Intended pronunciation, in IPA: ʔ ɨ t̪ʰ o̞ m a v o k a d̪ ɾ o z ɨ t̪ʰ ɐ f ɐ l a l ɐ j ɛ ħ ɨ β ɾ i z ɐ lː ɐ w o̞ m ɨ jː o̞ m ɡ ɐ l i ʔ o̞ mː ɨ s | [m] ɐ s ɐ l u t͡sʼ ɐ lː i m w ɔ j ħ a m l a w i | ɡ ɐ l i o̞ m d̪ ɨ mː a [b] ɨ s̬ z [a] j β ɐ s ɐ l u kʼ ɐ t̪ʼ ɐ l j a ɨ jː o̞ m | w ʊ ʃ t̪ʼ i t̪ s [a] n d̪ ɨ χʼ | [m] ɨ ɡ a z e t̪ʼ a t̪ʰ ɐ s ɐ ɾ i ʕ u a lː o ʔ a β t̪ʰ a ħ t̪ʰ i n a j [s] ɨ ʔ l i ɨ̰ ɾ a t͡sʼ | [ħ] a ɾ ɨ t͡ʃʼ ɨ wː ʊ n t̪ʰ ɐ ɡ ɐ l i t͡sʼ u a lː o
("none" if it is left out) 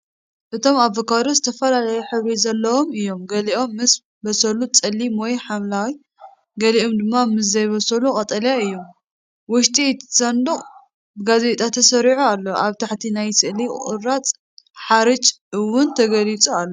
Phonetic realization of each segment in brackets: b, m, ɐ, ɐ, b, s, ħ

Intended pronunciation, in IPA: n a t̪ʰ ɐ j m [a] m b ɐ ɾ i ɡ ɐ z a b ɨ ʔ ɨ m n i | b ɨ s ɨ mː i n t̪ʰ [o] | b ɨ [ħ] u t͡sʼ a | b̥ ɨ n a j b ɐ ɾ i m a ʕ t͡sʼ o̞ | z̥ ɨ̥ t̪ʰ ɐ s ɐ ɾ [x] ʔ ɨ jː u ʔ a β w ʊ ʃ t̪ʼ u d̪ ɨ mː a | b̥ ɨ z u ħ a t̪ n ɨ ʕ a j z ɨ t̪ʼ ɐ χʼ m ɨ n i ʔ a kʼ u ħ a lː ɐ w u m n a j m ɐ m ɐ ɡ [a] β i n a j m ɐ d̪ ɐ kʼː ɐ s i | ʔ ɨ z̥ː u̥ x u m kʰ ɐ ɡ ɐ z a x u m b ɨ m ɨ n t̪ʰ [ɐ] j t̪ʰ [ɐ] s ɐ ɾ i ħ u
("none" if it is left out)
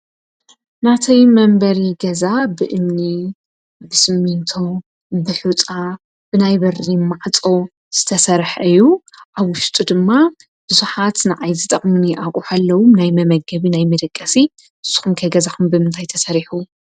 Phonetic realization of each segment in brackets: ɐ, o, ħ, ħ, ɐ, a, ɐ

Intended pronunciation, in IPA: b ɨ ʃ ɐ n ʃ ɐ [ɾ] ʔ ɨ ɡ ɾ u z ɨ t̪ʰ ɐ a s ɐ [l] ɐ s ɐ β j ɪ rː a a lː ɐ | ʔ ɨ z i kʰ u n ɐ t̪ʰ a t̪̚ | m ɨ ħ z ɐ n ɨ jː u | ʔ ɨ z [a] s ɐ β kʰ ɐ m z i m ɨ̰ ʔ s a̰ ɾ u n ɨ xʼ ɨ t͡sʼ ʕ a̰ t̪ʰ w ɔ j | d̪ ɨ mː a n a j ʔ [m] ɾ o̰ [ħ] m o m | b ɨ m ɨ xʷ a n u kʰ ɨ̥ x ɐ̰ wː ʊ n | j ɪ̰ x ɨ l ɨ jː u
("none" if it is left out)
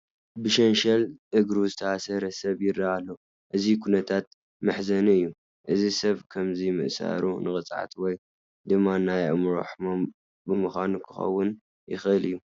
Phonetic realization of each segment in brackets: l, ɾ, i, m, ħ

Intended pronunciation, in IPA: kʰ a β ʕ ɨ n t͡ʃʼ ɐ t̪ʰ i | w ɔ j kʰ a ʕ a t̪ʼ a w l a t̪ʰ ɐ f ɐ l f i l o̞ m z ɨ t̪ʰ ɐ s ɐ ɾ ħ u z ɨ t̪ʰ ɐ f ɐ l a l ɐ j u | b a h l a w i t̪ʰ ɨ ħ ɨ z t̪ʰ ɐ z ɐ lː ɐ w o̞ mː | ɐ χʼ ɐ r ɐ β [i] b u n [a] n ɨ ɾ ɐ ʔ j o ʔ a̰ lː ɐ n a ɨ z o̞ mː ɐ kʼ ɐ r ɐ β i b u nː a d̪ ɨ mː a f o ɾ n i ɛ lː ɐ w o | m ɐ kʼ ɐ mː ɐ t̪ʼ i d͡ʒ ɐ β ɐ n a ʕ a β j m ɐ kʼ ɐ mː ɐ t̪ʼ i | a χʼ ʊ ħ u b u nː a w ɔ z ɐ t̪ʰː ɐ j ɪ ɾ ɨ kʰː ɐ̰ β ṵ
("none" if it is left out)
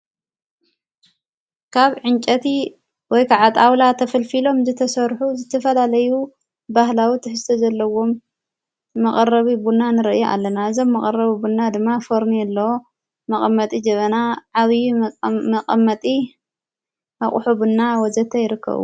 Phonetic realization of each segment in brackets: i, a

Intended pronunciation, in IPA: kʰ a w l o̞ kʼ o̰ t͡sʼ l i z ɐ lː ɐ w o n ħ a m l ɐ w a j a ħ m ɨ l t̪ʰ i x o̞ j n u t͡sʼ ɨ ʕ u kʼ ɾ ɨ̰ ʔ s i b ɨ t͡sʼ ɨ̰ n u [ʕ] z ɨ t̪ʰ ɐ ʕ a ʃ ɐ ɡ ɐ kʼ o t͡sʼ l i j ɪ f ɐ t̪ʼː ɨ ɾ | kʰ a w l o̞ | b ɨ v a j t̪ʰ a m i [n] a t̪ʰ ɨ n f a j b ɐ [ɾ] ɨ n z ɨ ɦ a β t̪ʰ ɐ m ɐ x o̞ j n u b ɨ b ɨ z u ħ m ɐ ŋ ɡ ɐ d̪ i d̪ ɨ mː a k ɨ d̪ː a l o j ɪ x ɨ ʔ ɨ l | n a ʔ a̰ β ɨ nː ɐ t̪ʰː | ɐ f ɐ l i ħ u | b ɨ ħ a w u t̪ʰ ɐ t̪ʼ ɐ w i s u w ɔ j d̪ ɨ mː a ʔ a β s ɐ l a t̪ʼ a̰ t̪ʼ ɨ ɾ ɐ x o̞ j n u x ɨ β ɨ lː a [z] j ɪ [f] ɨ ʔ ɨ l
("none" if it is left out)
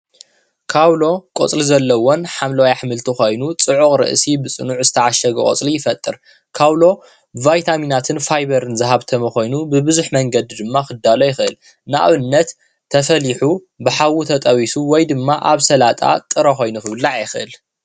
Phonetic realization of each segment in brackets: ʕ, n, ɾ, ʕ, x

